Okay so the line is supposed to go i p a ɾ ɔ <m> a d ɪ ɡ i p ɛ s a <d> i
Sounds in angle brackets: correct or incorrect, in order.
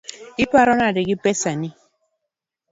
incorrect: n, incorrect: n

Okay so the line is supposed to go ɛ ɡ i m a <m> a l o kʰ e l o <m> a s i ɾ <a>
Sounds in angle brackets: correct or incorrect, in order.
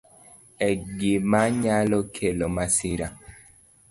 incorrect: ɲ, correct, correct

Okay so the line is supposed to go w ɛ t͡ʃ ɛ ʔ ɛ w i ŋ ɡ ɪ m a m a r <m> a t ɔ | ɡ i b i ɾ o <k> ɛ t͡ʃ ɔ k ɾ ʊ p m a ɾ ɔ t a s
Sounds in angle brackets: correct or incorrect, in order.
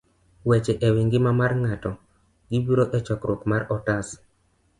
incorrect: ŋ, incorrect: ʔ

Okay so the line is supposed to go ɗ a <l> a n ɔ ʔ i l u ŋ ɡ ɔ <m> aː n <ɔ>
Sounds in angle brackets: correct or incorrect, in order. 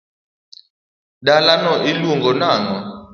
correct, incorrect: n, correct

